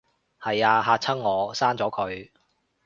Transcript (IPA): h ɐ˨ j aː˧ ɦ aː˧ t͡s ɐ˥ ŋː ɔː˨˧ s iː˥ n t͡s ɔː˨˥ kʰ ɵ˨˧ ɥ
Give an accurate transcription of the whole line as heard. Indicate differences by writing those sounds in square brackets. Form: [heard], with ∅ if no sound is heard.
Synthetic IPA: h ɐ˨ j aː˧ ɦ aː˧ [t͡sʰ] ɐ˥ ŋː ɔː˨˧ s [aː˥] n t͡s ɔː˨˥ kʰ ɵ˨˧ ɥ

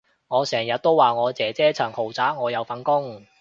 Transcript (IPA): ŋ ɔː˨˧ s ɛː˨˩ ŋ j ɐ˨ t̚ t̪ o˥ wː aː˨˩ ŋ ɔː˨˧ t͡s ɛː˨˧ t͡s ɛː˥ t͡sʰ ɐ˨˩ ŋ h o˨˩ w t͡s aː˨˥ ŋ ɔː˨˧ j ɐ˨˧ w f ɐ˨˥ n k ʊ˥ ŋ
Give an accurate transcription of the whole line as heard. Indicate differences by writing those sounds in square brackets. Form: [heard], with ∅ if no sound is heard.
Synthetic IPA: ŋ ɔː˨˧ s ɛː˨˩ ŋ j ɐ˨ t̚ t̪ o˥ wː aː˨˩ ŋ ɔː˨˧ t͡s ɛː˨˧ t͡s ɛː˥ t͡sʰ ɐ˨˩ ŋ h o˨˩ w t͡s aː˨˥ ŋ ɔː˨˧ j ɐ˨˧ w f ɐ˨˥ n k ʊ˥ ŋ

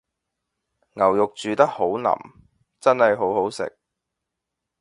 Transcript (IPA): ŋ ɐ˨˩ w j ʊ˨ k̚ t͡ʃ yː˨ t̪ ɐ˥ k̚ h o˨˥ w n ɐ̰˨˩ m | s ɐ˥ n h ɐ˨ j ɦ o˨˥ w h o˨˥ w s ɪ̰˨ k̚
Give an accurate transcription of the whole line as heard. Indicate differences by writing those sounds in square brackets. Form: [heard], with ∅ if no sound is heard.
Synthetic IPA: ŋ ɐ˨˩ w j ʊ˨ k̚ t͡ʃ yː˨ t̪ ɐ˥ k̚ h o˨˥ w n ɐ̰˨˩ m | [t͡s] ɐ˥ n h ɐ˨ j ɦ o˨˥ w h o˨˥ w s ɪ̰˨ k̚

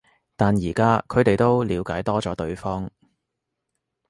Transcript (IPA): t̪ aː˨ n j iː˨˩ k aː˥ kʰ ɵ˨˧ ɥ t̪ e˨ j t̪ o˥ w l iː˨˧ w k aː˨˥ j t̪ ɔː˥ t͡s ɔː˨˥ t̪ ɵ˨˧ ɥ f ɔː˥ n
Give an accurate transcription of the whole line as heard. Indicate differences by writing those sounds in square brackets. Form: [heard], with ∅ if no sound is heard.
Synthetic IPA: t̪ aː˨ n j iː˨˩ k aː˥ kʰ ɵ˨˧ ɥ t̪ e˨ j t̪ o˥ w l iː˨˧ w k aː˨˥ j t̪ ɔː˥ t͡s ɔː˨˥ t̪ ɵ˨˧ ɥ f ɔː˥ [ŋ]

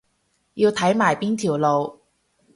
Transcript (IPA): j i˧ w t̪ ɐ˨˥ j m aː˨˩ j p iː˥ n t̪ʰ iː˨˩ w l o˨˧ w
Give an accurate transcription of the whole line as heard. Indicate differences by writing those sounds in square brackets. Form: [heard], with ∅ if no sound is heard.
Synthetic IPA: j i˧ w [t̪ʰ] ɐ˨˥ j m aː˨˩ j p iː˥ n t̪ʰ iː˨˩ w l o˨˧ w

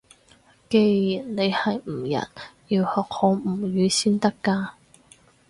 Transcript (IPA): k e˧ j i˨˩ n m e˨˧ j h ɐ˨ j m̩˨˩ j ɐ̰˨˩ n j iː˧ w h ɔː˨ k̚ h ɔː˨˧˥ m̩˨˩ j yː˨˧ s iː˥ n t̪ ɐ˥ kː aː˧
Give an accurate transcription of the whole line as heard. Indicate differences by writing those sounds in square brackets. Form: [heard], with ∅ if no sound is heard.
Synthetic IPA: k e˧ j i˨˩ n [n] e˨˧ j h ɐ˨ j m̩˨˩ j ɐ̰˨˩ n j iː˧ w h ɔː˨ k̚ h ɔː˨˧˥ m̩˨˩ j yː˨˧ s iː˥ n t̪ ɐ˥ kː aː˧

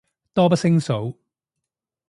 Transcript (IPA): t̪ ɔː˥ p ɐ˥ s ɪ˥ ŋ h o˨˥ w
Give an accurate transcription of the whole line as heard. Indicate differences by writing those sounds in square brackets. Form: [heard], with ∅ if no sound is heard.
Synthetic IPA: t̪ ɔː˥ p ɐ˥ s ɪ˥ ŋ [s] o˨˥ w

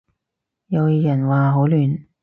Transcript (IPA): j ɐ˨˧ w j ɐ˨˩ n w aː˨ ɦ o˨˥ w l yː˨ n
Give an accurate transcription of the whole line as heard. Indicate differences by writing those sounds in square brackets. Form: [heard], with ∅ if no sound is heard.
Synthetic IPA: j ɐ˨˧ w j ɐ˨˩ n w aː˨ ɦ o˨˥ w l yː˨ n

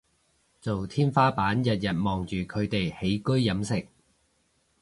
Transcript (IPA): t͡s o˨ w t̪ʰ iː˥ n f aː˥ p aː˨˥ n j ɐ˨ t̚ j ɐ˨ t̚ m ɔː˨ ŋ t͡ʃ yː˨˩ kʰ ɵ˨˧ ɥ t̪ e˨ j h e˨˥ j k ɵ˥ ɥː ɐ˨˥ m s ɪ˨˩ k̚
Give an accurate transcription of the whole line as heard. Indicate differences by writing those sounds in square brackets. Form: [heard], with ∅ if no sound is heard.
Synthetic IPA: t͡s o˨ w t̪ʰ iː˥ n f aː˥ p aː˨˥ n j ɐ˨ t̚ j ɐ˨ t̚ m ɔː˨ ŋ t͡ʃ yː˨˩ kʰ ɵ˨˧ ɥ t̪ e˨ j h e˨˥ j k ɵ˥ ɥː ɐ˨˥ m s ɪ˨˩ k̚

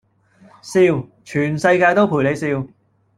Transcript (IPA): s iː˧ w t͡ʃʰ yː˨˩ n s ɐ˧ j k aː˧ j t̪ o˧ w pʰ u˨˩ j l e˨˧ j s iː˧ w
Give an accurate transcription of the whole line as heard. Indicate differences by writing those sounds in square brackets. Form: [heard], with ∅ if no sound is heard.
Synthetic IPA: s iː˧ w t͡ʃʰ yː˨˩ n s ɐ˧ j k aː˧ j t̪ [o˥] w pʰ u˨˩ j l e˨˧ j s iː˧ w

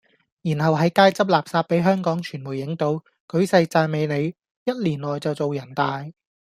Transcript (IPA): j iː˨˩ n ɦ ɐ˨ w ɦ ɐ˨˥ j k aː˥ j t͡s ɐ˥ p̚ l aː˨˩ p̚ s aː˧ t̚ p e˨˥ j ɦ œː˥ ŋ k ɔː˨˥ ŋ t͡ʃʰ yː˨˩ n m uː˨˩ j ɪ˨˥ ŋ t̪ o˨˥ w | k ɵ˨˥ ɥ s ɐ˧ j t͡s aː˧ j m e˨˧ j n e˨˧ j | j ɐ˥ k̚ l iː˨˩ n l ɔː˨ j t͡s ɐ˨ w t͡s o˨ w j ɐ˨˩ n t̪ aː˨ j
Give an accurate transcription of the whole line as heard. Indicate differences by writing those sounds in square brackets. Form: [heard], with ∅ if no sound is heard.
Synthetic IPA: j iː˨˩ n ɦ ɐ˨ w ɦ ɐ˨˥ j k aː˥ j t͡s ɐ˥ p̚ l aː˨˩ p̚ s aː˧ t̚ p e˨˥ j ɦ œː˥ ŋ k ɔː˨˥ ŋ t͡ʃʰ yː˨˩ n m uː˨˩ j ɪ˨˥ ŋ t̪ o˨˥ w | k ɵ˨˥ ɥ s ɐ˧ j t͡s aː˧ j m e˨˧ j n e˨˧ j | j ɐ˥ [t̚] l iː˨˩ n l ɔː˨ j t͡s ɐ˨ w t͡s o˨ w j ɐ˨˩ n t̪ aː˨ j

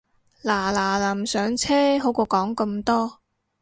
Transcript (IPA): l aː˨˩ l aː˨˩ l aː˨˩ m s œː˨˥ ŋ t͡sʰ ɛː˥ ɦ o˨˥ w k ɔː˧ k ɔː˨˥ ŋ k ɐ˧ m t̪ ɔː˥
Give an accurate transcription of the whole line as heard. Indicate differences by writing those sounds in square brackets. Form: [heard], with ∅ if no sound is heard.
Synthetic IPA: l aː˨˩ l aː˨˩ l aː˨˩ m s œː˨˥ ŋ t͡sʰ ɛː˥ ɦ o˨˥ w k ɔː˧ k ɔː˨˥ ŋ k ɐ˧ m t̪ ɔː˥

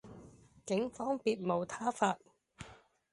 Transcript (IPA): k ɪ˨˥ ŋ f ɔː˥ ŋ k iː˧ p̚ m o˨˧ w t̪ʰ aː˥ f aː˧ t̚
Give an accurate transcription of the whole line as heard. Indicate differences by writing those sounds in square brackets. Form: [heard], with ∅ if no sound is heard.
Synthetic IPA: k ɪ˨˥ ŋ f ɔː˥ ŋ [p] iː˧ [t̚] m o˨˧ w t̪ʰ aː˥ f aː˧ t̚

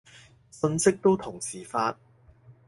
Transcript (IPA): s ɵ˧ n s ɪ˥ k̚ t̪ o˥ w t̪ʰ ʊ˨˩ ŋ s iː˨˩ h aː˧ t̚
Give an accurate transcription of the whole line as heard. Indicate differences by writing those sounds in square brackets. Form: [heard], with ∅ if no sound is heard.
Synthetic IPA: s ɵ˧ n s ɪ˥ k̚ t̪ o˥ w t̪ʰ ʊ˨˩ ŋ s iː˨˩ [f] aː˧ t̚

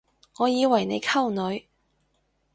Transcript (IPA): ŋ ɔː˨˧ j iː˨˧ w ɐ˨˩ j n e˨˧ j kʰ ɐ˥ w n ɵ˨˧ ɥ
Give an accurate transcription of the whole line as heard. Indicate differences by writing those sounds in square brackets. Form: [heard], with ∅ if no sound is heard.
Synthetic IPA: ŋ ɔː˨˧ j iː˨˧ w ɐ˨˩ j n e˨˧ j kʰ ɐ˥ w n ɵ˨˧ ɥ

